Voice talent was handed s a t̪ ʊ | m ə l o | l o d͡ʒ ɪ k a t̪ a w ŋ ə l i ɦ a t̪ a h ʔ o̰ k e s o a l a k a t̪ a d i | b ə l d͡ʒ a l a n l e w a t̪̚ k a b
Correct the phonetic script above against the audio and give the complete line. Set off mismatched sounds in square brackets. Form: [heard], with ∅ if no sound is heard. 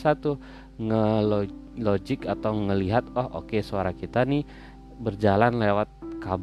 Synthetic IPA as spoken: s a t̪ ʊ | [ŋ] ə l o | l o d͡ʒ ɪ k a t̪ a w ŋ ə l i ɦ a t̪ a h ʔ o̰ k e s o a [ɾ] a k [i] t̪ a [n] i | b ə [r] d͡ʒ a l a n l e w a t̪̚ k a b